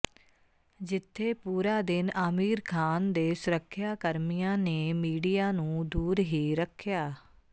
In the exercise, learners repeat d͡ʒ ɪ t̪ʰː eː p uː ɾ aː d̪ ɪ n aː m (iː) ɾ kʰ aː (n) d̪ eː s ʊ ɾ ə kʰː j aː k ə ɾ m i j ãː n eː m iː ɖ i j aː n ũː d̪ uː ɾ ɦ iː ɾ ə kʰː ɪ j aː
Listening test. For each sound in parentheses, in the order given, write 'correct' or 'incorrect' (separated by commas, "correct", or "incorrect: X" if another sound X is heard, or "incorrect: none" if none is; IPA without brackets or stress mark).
correct, correct